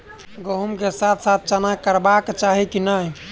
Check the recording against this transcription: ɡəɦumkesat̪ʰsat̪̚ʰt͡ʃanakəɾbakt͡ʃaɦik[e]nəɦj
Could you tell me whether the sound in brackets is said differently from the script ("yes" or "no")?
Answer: yes